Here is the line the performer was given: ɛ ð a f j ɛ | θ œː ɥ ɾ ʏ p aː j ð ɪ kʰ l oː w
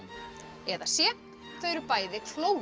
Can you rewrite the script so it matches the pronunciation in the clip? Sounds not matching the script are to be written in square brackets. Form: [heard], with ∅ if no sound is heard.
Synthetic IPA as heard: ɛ ð a [s] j ɛ | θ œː ɥ ɾ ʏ p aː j ð ɪ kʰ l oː w